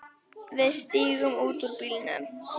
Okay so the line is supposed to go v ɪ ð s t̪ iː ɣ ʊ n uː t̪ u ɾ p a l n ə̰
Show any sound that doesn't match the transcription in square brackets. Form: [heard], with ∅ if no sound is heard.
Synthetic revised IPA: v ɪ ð s t̪ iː ɣ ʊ [m] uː t̪ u ɾ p [i] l n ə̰